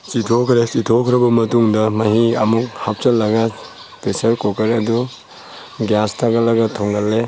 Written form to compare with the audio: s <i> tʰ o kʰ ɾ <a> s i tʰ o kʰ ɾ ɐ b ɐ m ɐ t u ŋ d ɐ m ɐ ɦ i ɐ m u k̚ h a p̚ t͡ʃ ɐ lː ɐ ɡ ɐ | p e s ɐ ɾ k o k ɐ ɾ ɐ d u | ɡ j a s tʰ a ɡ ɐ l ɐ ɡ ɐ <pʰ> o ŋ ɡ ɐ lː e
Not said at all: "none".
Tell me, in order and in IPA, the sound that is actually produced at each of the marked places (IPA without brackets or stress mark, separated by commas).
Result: i, e, tʰ